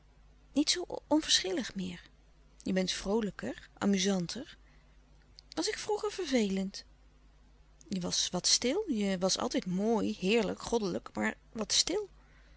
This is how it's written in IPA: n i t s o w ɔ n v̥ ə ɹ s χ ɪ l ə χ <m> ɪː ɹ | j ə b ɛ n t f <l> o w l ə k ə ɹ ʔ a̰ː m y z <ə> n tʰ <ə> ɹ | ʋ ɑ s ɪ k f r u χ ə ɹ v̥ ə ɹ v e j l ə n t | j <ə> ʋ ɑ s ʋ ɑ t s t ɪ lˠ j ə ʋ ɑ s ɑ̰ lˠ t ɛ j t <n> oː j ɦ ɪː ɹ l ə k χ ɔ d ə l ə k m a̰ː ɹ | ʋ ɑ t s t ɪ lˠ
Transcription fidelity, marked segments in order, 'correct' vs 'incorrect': correct, incorrect, incorrect, correct, correct, incorrect

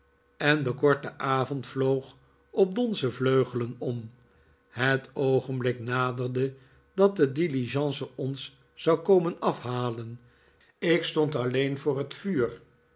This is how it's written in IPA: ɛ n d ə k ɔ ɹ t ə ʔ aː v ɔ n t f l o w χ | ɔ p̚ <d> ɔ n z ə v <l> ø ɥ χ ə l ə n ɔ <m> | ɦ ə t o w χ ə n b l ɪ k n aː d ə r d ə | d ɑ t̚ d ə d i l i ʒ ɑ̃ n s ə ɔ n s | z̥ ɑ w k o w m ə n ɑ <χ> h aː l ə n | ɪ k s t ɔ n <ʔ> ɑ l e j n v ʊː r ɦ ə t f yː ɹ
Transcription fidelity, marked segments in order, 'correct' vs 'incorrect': correct, correct, correct, incorrect, incorrect

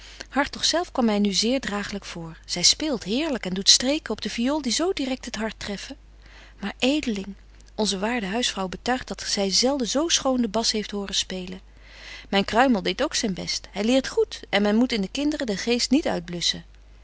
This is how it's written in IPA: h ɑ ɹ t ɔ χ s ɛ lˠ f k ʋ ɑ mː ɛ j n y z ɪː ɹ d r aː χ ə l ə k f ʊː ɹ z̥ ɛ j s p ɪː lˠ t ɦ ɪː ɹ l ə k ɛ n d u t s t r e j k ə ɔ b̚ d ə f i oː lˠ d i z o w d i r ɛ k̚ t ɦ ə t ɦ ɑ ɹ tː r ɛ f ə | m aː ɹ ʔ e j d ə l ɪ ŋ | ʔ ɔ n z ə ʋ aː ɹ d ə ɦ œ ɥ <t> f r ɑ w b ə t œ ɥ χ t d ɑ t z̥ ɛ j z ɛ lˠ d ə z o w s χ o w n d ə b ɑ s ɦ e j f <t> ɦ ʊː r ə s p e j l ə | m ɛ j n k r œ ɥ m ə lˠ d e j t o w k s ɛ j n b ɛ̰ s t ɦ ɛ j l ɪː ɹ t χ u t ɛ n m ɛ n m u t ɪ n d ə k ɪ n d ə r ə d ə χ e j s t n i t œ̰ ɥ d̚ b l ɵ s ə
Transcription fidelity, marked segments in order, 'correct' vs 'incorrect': incorrect, correct

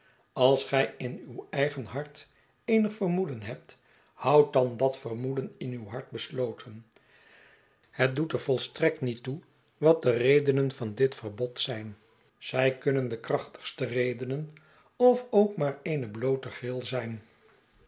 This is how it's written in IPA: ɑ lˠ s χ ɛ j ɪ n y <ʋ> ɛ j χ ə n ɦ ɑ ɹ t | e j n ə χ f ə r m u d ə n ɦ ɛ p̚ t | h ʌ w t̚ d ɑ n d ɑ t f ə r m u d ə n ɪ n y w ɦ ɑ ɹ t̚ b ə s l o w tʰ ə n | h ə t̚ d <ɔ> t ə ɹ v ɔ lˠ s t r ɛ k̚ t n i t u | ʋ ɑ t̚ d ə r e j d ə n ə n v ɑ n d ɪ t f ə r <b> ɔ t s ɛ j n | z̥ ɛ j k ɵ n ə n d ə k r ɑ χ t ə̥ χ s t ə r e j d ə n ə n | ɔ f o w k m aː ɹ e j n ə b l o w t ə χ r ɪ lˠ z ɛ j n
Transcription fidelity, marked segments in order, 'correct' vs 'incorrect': incorrect, incorrect, correct

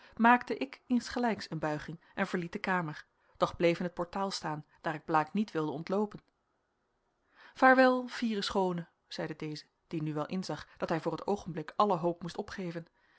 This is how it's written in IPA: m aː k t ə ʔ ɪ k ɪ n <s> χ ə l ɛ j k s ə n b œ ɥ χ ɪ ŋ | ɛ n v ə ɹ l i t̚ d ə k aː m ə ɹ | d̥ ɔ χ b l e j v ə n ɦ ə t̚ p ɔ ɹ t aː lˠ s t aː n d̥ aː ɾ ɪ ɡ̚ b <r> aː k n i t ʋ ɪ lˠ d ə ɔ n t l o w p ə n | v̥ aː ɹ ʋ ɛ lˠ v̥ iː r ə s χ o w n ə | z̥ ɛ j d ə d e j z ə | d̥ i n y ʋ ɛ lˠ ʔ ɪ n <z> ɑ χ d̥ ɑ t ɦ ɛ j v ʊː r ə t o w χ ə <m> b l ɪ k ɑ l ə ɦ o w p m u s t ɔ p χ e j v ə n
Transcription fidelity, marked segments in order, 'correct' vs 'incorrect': correct, incorrect, correct, incorrect

